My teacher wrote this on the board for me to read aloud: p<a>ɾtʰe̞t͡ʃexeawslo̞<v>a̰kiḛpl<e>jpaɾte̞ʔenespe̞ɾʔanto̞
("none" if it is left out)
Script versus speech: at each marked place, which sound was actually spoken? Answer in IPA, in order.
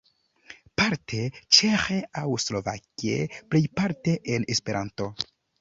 a, v, e

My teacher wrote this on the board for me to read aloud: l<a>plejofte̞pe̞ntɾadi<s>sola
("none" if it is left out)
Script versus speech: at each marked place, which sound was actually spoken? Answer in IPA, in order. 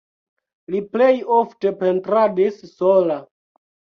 i, s

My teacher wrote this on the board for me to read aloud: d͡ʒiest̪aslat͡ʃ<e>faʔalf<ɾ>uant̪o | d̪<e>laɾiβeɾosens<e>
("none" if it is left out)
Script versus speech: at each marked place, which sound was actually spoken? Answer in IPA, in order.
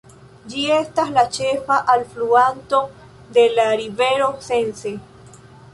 e, l, e, e

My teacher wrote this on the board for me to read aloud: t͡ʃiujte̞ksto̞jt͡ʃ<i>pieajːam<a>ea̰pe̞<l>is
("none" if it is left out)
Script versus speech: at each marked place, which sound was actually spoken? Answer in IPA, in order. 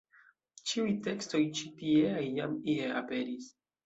i, i, ɾ

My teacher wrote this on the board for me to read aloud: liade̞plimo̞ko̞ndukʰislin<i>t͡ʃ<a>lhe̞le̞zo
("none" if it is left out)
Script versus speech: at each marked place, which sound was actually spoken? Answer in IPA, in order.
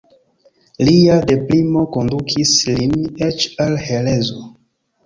e, a

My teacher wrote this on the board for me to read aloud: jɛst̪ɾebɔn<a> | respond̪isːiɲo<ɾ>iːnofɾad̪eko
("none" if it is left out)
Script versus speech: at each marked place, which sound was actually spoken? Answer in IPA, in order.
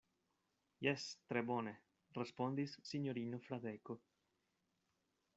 e, ɾ

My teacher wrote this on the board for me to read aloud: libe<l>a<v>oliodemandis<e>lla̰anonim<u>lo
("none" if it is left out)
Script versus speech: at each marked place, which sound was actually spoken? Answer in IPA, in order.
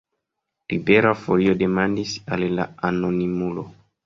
ɾ, f, a, u

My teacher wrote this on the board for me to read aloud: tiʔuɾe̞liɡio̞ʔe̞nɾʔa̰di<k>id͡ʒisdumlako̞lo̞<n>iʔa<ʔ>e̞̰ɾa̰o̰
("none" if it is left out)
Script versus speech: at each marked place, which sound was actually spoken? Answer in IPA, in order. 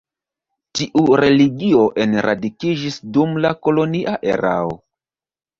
k, n, ʔ

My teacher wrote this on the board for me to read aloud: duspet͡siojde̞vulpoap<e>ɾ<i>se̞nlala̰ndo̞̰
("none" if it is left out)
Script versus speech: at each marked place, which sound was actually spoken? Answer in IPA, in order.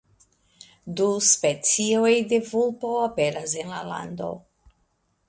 e, a

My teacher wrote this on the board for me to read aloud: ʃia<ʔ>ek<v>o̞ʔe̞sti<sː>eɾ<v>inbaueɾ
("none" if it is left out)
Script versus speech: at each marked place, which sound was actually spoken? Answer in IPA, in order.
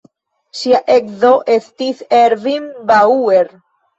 ʔ, z, s, v

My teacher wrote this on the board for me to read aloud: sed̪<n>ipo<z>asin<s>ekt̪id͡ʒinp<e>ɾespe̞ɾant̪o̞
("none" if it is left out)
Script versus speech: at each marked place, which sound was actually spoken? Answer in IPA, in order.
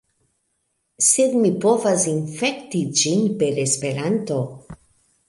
m, v, f, e

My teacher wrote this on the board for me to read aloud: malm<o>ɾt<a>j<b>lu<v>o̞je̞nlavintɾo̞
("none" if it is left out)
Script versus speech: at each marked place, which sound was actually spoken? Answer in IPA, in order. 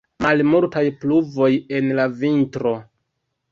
u, a, p, v

